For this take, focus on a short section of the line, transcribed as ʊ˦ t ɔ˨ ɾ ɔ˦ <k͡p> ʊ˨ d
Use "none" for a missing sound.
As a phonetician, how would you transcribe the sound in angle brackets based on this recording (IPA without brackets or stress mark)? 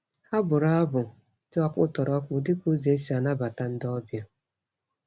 k͡p